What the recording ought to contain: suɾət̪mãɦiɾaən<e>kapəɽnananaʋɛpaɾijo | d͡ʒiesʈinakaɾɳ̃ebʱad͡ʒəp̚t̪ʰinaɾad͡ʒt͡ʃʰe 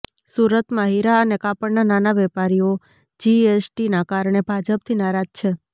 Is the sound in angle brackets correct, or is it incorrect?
correct